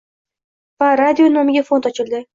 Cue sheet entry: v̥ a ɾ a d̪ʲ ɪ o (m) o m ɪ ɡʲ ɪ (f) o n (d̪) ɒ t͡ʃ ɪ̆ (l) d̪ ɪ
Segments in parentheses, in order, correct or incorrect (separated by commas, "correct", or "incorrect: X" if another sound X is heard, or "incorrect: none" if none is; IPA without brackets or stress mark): incorrect: n, correct, incorrect: t̪, correct